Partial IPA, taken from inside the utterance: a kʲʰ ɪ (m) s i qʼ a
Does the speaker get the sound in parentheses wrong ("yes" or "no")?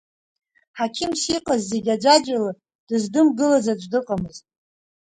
no